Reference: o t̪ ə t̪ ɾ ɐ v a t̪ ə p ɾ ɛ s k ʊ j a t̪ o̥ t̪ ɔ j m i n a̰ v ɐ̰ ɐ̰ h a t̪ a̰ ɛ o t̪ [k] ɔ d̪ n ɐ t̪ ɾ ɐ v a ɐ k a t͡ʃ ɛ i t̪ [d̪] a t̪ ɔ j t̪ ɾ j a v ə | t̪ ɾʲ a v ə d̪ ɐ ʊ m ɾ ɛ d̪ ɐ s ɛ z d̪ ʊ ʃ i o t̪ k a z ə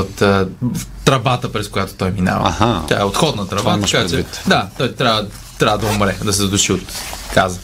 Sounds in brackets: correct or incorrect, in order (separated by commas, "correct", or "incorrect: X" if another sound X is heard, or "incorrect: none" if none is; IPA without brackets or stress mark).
incorrect: x, correct